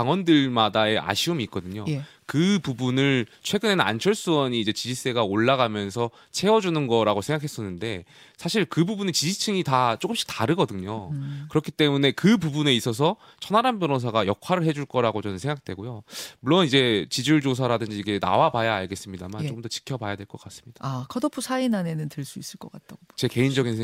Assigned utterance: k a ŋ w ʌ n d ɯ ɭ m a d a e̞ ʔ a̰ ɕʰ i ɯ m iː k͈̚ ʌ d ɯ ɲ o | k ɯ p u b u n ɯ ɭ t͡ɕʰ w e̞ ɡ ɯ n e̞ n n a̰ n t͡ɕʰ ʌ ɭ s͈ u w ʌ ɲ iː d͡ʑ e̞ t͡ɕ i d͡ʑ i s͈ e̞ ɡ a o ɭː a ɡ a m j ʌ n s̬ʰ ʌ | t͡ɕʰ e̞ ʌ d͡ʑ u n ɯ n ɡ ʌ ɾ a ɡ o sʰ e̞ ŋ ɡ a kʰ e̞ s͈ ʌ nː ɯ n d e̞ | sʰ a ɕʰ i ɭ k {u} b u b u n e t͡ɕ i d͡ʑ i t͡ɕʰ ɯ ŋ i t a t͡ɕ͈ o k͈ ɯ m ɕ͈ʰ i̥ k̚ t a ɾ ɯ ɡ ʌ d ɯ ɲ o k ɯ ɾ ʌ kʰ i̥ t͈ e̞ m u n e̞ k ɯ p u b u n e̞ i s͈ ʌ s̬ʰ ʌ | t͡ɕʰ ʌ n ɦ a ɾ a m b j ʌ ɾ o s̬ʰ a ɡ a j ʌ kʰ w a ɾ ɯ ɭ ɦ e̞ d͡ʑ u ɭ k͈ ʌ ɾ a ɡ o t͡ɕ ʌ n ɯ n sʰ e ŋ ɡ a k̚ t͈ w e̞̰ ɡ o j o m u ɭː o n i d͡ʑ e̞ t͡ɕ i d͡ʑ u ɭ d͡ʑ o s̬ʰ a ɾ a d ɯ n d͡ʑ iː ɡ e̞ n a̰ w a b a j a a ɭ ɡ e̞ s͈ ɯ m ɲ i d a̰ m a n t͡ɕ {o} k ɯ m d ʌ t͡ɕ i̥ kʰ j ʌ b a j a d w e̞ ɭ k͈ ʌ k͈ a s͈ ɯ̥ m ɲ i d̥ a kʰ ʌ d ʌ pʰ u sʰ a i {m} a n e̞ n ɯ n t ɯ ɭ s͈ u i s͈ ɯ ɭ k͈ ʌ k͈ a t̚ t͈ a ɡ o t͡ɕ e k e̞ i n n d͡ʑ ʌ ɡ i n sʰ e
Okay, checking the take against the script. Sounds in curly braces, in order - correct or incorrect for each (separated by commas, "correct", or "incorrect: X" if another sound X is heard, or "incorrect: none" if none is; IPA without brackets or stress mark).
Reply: incorrect: ɯ, correct, incorrect: n